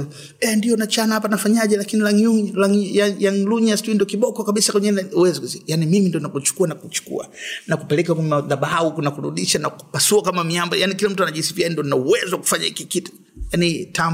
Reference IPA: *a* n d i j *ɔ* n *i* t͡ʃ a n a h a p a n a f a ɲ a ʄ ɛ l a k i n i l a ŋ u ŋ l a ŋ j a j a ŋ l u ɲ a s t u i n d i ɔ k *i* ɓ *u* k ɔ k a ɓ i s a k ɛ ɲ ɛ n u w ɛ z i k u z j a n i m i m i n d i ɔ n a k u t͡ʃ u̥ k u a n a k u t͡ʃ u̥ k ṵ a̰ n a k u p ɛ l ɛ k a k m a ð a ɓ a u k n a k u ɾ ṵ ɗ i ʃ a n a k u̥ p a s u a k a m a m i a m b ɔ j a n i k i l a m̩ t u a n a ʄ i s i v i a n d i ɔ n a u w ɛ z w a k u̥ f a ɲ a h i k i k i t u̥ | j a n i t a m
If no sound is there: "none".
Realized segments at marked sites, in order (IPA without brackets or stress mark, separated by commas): ɛ, ɔ, a, i, ɔ